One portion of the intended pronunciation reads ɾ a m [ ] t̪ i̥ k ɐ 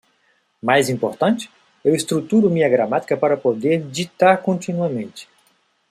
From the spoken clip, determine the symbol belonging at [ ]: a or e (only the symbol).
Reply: a